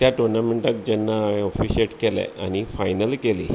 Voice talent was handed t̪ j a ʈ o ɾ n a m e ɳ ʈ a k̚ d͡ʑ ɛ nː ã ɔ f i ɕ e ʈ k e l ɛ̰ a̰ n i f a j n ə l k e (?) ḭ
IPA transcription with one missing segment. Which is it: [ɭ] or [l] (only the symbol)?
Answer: l